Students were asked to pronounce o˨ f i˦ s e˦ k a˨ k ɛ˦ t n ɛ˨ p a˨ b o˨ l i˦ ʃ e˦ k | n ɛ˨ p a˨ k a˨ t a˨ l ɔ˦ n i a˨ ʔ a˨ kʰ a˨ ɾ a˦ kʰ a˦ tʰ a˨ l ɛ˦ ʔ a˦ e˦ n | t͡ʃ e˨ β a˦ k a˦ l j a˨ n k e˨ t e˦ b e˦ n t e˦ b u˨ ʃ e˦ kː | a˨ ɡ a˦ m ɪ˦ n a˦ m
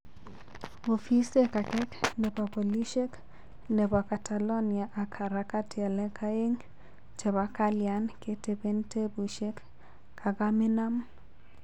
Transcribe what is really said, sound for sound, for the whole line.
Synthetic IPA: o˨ f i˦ s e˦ k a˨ k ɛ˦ k n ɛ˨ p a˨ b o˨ l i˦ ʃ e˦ k | n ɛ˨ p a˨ k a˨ t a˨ l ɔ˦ n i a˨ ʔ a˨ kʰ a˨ ɾ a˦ k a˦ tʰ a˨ l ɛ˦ k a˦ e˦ ŋ | t͡ʃ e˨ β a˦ k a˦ l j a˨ n k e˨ t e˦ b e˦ n t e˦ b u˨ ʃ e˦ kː | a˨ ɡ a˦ m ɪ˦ n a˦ m